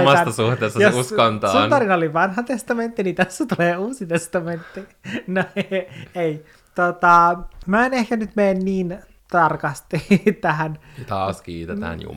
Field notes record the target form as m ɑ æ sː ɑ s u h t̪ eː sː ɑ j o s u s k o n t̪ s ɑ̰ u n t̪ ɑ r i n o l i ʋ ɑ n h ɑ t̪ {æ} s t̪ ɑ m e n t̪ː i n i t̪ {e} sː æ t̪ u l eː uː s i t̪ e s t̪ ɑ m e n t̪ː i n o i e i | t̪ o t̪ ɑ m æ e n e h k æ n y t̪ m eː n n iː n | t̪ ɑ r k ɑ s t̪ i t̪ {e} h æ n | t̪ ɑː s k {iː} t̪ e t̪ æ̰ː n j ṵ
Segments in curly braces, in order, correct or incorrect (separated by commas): incorrect, incorrect, incorrect, correct